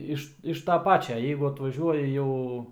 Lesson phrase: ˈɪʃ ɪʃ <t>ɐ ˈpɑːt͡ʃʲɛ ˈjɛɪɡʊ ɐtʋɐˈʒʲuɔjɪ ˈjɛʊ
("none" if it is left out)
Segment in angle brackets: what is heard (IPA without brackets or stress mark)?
t